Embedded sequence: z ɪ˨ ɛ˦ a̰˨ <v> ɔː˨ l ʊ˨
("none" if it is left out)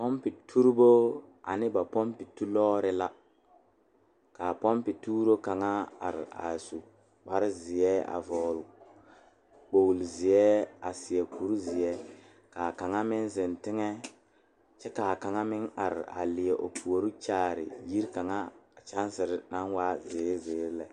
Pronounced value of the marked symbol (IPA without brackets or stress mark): v